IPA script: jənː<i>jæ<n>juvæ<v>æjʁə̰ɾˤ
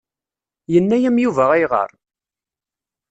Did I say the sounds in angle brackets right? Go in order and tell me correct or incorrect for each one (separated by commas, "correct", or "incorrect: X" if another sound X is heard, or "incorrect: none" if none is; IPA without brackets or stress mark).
incorrect: æ, incorrect: m, incorrect: ʁ